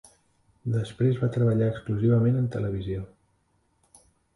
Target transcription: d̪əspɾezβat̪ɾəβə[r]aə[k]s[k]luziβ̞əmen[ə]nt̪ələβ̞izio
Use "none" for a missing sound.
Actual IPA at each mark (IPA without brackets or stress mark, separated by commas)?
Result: ʎ, k, k, ə